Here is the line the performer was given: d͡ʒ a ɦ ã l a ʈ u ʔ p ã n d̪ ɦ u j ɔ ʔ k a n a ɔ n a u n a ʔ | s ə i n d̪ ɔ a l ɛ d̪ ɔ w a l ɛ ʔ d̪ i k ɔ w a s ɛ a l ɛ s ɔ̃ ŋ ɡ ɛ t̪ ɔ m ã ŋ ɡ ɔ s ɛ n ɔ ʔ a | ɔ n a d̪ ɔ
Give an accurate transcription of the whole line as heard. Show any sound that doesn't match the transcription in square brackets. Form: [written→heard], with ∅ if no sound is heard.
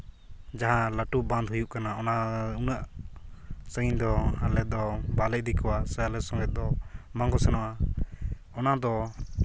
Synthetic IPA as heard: d͡ʒ a ɦ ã l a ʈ u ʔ [p→b] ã n d̪ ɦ u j [ɔ→u] ʔ k a n a ɔ n a u n a ʔ | s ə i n d̪ ɔ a l ɛ d̪ ɔ [w→b] a l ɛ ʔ d̪ i k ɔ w a s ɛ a l ɛ s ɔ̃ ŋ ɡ ɛ [t̪→d̪] ɔ m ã ŋ ɡ ɔ s ɛ n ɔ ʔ a | ɔ n a d̪ ɔ